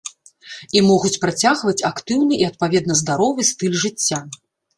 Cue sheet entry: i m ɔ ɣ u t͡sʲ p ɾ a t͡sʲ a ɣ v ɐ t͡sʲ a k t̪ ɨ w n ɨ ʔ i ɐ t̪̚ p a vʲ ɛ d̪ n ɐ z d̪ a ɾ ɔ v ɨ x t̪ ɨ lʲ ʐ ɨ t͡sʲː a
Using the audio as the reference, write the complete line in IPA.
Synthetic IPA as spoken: i m ɔ ɣ u t͡sʲ p ɾ a t͡sʲ a ɣ v ɐ t͡sʲ a k t̪ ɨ w n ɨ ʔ i ɐ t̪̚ p a vʲ ɛ d̪ n ɐ z d̪ a ɾ ɔ v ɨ s t̪ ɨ lʲ ʐ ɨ t͡sʲː a